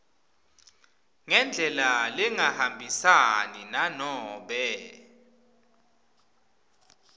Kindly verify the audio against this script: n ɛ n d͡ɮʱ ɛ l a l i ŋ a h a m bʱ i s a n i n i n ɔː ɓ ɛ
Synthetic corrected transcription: ŋ ɛ n d͡ɮʱ ɛ l a l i ŋ a h a m bʱ i s a n i n a n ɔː ɓ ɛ